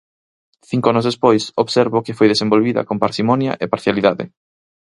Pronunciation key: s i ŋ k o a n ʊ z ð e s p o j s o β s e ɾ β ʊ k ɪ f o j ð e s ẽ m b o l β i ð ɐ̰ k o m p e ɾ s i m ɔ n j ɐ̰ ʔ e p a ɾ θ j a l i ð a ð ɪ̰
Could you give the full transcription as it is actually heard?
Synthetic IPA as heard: θ i ŋ k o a n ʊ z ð e s p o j s o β s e ɾ β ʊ k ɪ f o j ð e s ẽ m b o l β i ð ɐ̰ k o m p a ɾ s i m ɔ n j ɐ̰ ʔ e p a ɾ θ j a l i ð a ð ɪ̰

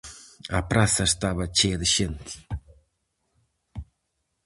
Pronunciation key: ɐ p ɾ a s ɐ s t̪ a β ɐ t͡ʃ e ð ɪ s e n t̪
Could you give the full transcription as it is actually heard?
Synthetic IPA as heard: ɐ p ɾ a s ɐ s t̪ a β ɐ t͡ʃ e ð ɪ ʃ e n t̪

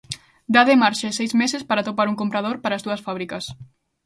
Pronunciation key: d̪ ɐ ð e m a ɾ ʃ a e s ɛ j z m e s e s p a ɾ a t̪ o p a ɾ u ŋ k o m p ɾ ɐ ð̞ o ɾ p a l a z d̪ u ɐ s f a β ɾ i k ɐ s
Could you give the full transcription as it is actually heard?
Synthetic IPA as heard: d̪ a ð e m a ɾ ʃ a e s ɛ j z m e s e s p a ɾ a t̪ o p a ɾ u ŋ k o m p ɾ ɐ ð̞ o ɾ p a ɾ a z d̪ u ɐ s f a β ɾ i k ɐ s

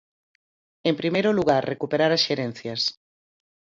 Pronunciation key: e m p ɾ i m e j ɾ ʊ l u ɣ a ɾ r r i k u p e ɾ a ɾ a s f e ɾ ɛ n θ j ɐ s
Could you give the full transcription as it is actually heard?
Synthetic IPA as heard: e m p ɾ i m e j ɾ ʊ l u ɣ a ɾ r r e k u p e ɾ a ɾ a s ʃ e ɾ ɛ n θ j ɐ s

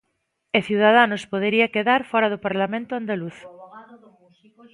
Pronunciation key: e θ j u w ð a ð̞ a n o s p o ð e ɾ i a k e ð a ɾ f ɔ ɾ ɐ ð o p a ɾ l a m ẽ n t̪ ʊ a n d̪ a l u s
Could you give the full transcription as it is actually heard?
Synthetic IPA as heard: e θ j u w ð a ð̞ a n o s p o ð e ɾ i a k e ð a ɾ f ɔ ɾ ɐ ð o p a ɾ l a m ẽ n t̪ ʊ a n d̪ a l u θ

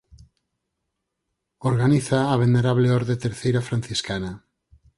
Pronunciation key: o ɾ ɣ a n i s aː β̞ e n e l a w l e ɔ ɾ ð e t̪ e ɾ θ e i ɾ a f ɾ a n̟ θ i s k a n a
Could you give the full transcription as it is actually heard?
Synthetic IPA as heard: o ɾ ɣ a n i θ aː β̞ e n e ɾ a β l e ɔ ɾ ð e t̪ e ɾ θ e j ɾ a f ɾ a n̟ θ i s k a n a

